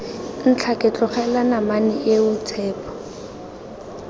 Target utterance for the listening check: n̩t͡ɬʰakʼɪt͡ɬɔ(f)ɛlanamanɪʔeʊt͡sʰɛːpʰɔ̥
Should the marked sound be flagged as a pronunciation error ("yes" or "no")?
yes